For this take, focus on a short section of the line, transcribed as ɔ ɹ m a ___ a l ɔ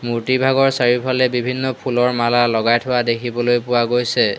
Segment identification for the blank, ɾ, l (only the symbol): l